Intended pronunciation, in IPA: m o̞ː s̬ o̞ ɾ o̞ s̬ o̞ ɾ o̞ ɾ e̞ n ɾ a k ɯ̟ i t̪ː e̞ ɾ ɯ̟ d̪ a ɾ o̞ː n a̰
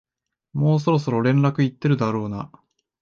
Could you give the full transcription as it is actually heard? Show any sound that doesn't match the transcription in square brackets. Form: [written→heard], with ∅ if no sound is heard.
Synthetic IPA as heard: m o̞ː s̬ o̞ ɾ o̞ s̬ o̞ ɾ o̞ ɾ [e̞→ẽ̞] n ɾ a k ɯ̟ i t̪ː e̞ ɾ ɯ̟ d̪ a ɾ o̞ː n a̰